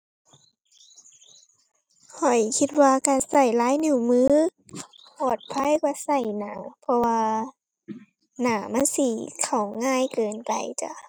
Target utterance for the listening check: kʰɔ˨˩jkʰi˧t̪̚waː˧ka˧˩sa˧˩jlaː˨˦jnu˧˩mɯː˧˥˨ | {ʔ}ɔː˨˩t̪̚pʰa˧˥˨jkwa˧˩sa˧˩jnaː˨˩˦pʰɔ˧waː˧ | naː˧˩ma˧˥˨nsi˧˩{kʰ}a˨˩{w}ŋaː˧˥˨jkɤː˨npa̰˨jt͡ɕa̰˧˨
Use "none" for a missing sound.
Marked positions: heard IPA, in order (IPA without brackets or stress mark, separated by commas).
p, kʰ, w